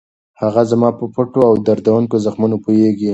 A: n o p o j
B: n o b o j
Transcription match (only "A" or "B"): A